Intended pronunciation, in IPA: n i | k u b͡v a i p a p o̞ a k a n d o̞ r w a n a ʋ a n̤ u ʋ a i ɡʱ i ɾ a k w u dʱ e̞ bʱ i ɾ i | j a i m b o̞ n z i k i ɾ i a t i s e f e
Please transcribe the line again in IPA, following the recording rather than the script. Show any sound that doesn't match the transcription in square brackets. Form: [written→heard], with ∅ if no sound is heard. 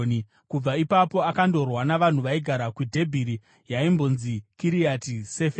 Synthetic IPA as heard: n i | k u b͡v a i p a p o̞ a k a n d o̞ r w a n a ʋ a n̤ u ʋ a i ɡʱ [i→a] ɾ a k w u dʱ e̞ bʱ i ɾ i | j a i m b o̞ n z i k i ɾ i a t i s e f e

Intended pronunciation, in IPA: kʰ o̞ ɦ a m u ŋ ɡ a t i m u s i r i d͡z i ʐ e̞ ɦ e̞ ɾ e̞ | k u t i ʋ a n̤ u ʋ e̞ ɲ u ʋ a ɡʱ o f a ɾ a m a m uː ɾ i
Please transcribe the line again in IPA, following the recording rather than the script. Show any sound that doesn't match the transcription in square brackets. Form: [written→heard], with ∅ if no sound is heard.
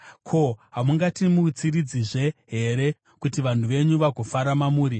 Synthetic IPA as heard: kʰ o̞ ɦ a m u ŋ ɡ a t i m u [s→t͡s] i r i d͡z i ʐ e̞ ɦ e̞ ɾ e̞ | k u t i ʋ a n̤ u ʋ e̞ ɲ u ʋ a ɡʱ o f a ɾ a m a m uː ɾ i

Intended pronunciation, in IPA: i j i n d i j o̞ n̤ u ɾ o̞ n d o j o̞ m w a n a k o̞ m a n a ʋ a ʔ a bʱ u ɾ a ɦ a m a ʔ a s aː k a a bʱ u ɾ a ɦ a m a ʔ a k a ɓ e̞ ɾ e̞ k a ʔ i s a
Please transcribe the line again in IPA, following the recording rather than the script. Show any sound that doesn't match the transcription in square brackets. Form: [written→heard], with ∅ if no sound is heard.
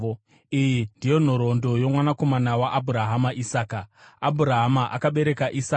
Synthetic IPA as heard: i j i n d i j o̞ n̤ [u→o] ɾ o̞ n d o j o̞ m w a n a k o̞ m a n a [ʋ→w] a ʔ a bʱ u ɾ a ɦ a m a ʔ [a→i] s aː k a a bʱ u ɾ a ɦ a m a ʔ a k a ɓ e̞ ɾ e̞ k a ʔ i s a

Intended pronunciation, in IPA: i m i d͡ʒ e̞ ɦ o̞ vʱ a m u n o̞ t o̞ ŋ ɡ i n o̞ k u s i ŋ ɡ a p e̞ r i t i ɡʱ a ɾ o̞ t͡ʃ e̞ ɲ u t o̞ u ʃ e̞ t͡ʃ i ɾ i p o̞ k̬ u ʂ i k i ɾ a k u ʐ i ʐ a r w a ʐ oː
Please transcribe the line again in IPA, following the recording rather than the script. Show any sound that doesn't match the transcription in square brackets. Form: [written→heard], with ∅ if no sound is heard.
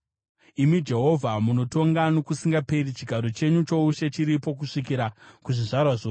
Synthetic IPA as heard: i m i d͡ʒ e̞ ɦ o̞ vʱ a m u n o̞ t o̞ ŋ ɡ [i→a] n o̞ k u s i ŋ ɡ a p e̞ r i [t→t͡ʃ] i ɡʱ a ɾ o̞ t͡ʃ e̞ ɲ u [t→t͡ʃ] o̞ u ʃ e̞ t͡ʃ i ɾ i p o̞ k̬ u ʂ i k i ɾ a k u ʐ i ʐ a r w a ʐ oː

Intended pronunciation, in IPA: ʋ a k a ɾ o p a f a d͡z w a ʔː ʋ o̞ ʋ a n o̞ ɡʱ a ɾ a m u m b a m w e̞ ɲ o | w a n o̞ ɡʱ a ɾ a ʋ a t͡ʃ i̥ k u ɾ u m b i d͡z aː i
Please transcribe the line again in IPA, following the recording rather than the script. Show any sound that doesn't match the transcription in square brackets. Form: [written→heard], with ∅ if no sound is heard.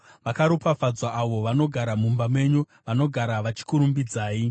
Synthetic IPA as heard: ʋ a k a ɾ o p a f a d͡z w a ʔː ʋ o̞ ʋ a n o̞ ɡʱ a ɾ a m u m b a m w e̞ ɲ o | [w→ʋ] a n o̞ ɡʱ a ɾ a ʋ a t͡ʃ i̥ k u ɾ u m b i d͡z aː i

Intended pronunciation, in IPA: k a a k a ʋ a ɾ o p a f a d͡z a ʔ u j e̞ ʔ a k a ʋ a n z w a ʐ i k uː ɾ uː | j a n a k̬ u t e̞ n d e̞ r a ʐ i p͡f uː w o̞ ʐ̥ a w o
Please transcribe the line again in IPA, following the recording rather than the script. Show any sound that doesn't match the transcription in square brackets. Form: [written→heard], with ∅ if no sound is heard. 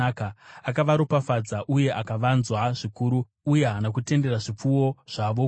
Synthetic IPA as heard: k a a k a ʋ a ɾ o p a f a d͡z a ʔ u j e̞ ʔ a k a ʋ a n z w a ʐ i k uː ɾ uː | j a n a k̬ u t e̞ n d e̞ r a ʐ i p͡f [uː→u] w o̞ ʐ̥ a [w→ʋ] o

